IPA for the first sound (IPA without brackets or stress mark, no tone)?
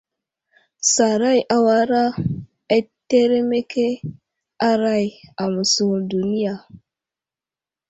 s